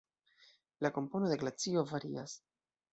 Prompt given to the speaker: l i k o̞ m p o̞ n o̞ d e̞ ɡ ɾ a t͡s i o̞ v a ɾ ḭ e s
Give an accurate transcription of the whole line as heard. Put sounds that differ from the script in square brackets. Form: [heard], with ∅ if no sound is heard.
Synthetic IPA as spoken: l [a] k o̞ m p o̞ n o̞ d e̞ ɡ [l] a t͡s i o̞ v a ɾ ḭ [a] s